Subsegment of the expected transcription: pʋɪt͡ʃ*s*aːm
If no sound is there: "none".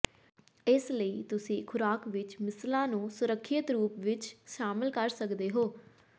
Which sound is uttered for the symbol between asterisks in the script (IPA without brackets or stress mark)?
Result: ʃ